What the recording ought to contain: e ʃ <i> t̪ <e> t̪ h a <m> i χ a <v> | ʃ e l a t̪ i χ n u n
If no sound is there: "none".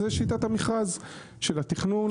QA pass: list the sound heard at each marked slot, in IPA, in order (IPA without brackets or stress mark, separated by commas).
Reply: i, a, m, z